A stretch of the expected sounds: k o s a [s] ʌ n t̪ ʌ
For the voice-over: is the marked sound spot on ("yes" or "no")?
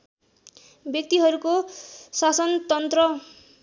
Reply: yes